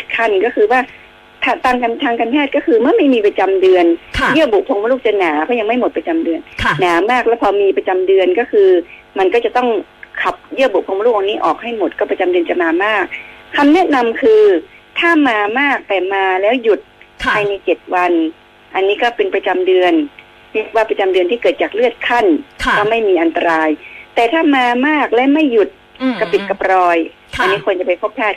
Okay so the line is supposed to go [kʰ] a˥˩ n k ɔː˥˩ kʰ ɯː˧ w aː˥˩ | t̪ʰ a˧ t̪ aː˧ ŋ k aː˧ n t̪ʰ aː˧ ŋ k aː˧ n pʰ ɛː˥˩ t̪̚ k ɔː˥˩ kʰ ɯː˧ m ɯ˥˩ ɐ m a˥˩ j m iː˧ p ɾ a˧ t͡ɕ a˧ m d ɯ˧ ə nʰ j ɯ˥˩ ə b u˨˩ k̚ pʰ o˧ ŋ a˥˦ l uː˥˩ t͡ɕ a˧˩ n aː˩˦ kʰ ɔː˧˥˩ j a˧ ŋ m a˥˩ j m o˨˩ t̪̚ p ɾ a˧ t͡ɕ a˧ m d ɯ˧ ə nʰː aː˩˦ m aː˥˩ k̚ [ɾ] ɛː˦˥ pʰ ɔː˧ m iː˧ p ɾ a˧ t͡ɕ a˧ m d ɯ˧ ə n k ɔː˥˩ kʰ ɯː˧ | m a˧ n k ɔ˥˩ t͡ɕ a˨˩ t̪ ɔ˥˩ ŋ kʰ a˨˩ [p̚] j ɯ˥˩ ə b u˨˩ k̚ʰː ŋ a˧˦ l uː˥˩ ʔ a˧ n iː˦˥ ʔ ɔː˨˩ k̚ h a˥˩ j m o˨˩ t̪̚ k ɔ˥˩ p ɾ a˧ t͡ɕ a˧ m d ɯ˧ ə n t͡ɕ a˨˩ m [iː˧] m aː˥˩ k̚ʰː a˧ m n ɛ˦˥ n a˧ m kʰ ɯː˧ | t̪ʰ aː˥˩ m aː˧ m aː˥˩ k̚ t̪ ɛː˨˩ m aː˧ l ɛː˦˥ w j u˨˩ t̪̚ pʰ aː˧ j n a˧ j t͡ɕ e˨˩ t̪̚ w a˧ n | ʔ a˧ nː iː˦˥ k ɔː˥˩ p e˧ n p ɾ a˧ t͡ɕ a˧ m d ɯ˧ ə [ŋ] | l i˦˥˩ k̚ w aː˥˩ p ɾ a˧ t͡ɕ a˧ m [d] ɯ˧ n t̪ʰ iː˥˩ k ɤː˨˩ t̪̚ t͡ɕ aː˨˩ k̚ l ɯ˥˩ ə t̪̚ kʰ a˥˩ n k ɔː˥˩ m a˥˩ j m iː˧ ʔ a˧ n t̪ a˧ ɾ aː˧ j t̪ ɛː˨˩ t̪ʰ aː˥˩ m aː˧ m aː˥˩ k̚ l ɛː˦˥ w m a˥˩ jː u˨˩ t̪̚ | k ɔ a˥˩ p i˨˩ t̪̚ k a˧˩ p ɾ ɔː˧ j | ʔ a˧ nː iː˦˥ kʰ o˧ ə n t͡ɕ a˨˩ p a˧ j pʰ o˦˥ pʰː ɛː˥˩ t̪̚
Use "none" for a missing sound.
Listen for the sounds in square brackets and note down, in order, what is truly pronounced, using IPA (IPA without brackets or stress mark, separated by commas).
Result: kʰ, l, p̚, aː˧, n, d